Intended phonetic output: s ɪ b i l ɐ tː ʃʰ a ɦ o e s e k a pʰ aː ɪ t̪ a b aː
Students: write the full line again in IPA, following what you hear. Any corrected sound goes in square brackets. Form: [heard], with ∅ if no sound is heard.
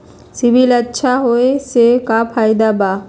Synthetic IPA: s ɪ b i l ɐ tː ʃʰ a ɦ o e s e k a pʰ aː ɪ [d̪] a b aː